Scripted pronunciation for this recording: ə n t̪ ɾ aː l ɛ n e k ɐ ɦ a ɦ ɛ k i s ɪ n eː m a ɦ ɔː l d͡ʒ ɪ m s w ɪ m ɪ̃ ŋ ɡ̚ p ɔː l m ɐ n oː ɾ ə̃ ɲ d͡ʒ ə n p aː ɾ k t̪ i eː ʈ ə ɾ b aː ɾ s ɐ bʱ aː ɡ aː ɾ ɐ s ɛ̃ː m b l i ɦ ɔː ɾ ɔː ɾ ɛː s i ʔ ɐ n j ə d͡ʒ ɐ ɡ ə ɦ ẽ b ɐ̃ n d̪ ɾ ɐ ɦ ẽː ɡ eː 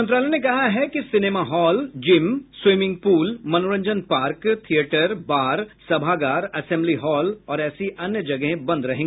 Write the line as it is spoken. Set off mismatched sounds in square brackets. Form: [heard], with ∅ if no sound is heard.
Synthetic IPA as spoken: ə n t̪ ɾ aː l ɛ n e k ɐ ɦ a ɦ ɛ k i s ɪ n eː m a ɦ ɔː l d͡ʒ ɪ m s w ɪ m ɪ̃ ŋ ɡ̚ p [uː] l m ɐ n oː ɾ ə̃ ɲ d͡ʒ ə n p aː ɾ k [t̪ʰ] i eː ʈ ə ɾ b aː ɾ s ɐ bʱ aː ɡ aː ɾ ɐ s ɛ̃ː m b l i ɦ ɔː [l] ɔː ɾ ɛː s i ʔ ɐ n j ə d͡ʒ ɐ ɡ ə ɦ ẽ b ɐ̃ n d̪ ɾ ɐ ɦ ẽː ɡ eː